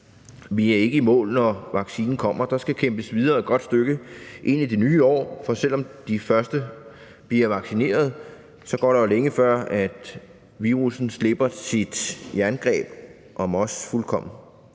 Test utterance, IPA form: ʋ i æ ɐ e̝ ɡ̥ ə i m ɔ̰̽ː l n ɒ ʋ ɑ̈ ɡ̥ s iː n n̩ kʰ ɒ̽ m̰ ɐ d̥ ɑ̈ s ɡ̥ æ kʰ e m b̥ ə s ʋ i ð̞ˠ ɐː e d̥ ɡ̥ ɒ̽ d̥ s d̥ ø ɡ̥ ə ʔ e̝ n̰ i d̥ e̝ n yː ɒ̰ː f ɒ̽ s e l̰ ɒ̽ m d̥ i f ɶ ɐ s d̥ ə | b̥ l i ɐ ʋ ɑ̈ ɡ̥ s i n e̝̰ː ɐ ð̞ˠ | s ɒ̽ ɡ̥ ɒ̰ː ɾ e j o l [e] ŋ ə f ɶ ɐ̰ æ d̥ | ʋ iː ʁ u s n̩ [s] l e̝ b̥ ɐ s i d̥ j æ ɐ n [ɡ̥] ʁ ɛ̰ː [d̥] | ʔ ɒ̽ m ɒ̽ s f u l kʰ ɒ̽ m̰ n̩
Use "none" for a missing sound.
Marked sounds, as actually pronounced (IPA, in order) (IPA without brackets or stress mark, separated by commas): e, s, ɡ̥, b̥